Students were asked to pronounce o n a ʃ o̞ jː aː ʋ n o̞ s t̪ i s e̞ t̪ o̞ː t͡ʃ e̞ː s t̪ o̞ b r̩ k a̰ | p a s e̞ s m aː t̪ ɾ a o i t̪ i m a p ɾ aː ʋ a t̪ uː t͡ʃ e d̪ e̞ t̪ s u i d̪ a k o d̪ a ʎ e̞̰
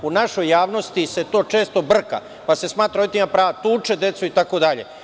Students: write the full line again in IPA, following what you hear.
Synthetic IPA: u n a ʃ o̞ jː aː ʋ n o̞ s t̪ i s e̞ t̪ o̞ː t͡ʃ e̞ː s t̪ o̞ b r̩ k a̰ | p a s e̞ s m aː t̪ ɾ a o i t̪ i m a p ɾ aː ʋ a t̪ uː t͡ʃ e d̪ e̞ t̪ s u i t̪ a k o d̪ a ʎ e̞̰